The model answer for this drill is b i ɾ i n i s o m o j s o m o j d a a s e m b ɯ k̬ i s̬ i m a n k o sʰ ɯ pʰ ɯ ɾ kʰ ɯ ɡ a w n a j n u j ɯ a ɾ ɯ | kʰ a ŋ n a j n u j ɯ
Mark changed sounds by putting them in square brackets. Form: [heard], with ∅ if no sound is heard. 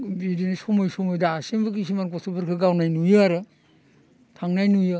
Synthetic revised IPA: b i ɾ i n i s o m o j s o m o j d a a s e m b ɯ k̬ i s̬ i m a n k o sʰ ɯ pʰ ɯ ɾ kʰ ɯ ɡ a w n a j n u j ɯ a ɾ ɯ | [tʰ] a ŋ n a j n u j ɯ